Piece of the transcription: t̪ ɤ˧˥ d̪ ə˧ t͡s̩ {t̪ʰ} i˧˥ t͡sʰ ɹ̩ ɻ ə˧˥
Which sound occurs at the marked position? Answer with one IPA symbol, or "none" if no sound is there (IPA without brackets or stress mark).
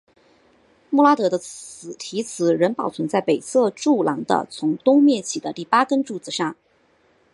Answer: t̪ʰ